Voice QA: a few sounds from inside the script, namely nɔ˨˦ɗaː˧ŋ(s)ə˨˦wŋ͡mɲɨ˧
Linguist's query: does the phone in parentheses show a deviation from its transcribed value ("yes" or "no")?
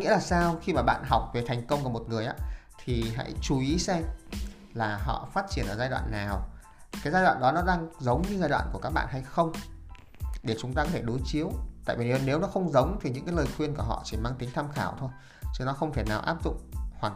yes